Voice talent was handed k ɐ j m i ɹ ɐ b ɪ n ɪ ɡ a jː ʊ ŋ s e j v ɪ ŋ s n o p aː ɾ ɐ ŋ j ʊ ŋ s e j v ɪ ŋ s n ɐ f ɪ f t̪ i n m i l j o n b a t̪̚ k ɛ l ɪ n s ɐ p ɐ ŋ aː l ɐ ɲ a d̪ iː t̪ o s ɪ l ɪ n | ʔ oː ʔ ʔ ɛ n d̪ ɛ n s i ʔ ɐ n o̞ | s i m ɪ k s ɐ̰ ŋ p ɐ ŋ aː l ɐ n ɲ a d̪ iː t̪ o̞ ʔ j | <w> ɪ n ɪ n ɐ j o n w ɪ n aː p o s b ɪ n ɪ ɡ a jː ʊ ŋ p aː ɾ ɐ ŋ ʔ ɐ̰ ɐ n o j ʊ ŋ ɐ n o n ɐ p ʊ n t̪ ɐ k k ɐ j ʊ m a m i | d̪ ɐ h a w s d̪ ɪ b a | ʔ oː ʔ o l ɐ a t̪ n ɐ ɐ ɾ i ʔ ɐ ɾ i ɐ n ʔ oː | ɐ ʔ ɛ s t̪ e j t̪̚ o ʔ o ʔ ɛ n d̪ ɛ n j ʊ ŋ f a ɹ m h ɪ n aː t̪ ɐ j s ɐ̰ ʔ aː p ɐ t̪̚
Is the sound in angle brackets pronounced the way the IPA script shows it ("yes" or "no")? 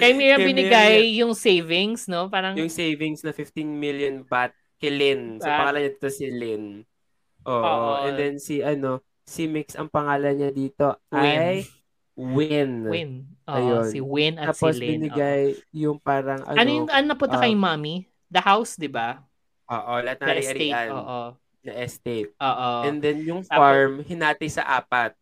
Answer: yes